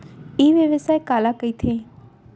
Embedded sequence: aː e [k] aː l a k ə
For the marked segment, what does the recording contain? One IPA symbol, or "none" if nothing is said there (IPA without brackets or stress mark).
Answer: k